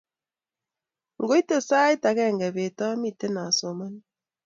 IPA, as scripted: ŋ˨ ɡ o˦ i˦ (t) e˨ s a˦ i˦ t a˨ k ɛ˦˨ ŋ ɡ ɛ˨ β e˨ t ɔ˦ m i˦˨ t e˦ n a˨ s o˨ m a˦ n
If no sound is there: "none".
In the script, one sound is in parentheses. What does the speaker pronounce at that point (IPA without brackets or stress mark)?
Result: t